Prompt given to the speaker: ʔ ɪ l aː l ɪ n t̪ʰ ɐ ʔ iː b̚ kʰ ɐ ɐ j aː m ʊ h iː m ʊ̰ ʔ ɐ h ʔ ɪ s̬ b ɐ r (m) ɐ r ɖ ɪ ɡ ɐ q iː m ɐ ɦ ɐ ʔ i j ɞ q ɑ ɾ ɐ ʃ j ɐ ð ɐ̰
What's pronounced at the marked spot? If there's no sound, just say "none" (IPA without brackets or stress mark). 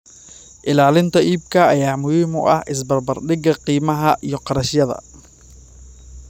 b